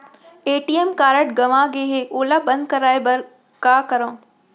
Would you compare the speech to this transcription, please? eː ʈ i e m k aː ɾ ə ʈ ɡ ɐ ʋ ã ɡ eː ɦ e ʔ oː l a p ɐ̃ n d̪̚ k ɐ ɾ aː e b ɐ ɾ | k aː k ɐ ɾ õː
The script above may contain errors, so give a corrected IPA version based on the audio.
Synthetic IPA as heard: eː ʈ i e m k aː ɾ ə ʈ ɡ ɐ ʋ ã ɡ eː ɦ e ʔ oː l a b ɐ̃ n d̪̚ k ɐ ɾ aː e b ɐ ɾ | k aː k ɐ ɾ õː